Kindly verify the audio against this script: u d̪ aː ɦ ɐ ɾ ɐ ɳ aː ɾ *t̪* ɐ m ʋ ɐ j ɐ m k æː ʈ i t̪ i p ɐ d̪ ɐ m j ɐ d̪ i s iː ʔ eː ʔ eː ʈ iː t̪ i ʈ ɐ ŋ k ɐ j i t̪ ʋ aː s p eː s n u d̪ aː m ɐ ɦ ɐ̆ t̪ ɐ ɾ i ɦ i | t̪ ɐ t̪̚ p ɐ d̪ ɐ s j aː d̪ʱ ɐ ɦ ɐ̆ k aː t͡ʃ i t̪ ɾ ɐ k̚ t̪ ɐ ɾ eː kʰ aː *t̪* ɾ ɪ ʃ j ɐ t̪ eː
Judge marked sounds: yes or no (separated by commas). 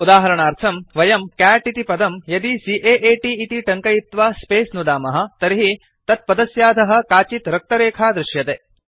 no, no